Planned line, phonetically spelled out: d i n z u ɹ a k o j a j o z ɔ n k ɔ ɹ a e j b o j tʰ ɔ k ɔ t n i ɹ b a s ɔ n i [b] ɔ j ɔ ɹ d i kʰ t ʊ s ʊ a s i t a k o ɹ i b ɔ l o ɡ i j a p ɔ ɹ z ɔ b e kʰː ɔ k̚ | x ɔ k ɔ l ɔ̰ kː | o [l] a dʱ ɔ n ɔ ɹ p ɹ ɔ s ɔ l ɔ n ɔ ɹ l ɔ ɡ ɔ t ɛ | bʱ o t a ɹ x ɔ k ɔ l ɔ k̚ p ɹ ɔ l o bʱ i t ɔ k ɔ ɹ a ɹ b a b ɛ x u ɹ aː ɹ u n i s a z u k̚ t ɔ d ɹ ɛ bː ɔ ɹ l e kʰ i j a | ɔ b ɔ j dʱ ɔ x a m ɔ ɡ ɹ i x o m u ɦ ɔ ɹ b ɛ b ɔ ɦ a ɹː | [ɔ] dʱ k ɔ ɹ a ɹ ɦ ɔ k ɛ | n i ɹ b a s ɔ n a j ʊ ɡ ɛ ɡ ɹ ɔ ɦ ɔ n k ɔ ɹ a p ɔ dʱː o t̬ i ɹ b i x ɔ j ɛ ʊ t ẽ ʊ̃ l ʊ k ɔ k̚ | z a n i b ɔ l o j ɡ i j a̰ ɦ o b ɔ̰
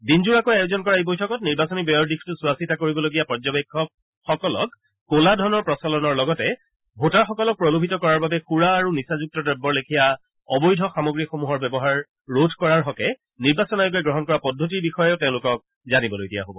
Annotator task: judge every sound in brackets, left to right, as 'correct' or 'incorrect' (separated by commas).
correct, correct, incorrect